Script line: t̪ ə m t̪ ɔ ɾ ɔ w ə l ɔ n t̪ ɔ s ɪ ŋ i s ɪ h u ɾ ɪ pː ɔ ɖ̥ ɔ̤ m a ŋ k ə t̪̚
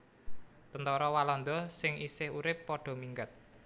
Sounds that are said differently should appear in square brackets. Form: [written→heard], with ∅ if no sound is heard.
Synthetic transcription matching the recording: t̪ ə [m→n] t̪ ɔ ɾ ɔ w [ə→a] l ɔ n [t̪→d̪] ɔ s ɪ ŋ i s ɪ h u ɾ ɪ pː ɔ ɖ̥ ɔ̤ m [a→i] ŋ [k→ɡ] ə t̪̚

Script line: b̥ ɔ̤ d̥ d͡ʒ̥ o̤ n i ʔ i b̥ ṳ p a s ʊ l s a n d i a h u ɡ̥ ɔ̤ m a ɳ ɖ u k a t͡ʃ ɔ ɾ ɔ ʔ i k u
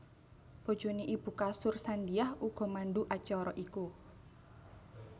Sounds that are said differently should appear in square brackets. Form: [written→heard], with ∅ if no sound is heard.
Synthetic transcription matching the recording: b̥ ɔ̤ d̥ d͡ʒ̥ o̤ n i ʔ i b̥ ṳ [p→k] a s ʊ [l→r] s a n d i a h u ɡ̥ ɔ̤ m a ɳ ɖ u [k→ʔ] a t͡ʃ ɔ ɾ ɔ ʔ i k u

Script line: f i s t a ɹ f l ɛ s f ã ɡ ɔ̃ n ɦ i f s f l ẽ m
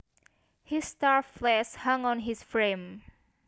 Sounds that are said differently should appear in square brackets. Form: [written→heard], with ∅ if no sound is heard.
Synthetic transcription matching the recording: [f→h] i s t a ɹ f l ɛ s [f→h] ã [ɡ→ŋ] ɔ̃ n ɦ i [f→∅] s f [l→ɹ] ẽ m

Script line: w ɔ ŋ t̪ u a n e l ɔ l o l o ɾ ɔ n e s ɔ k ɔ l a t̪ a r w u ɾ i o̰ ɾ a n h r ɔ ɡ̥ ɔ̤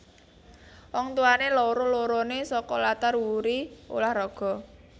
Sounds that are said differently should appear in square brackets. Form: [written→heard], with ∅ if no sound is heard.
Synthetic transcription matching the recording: w ɔ ŋ t̪ u a n e l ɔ [l→ɾ] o l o ɾ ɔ n e s ɔ k ɔ l a t̪ a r w u ɾ i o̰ [ɾ→l] a [n→∅] h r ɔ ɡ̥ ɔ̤

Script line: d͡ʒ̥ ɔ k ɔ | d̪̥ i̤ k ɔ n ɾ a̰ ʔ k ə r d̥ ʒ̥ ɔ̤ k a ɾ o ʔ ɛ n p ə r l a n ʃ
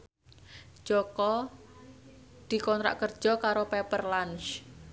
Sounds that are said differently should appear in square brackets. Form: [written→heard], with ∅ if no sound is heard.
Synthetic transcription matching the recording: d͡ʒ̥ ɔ k ɔ | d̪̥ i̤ k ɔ n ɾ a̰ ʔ k ə r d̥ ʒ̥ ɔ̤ k a ɾ o [ʔ→p] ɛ [n→∅] p ə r l a n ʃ

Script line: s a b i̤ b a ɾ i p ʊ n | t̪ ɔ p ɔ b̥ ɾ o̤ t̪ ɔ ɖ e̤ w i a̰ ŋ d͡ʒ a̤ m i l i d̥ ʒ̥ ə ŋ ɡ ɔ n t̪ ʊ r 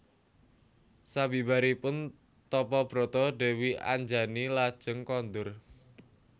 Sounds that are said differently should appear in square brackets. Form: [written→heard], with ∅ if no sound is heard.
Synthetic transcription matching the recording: s a b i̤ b a ɾ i p ʊ n | t̪ ɔ p ɔ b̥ ɾ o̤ t̪ ɔ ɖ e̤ w i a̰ [ŋ→ɲ] d͡ʒ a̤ [m→n] i l [i→a] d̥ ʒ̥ ə ŋ [ɡ→k] ɔ n [t̪→d̪] ʊ r

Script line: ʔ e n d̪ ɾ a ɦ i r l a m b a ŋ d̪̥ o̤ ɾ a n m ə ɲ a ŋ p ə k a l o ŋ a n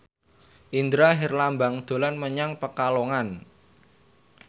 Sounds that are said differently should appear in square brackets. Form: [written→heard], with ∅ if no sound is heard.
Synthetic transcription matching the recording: ʔ [e→i] n d̪ ɾ a ɦ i r l a m b a ŋ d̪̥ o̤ [ɾ→l] a n m ə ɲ a ŋ p ə k a l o ŋ a n

